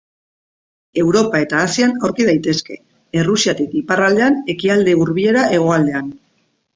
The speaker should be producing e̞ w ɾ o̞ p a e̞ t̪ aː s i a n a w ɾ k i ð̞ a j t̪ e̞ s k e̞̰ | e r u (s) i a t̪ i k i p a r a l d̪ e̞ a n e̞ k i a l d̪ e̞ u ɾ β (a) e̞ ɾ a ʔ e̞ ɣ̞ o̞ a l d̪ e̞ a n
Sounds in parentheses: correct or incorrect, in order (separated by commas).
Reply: correct, incorrect